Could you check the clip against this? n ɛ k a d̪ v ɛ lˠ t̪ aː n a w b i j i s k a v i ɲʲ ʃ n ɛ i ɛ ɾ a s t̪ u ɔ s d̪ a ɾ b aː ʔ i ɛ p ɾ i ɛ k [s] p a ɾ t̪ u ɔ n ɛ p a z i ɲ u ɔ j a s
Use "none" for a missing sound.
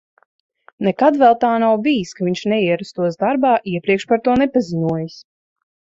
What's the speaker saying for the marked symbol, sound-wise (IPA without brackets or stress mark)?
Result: ʃ